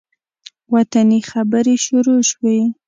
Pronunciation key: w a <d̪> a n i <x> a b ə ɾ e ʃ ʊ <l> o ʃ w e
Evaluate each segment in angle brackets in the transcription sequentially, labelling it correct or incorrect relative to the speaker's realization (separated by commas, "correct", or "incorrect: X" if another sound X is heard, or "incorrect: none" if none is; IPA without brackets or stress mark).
incorrect: t̪, correct, incorrect: ɾ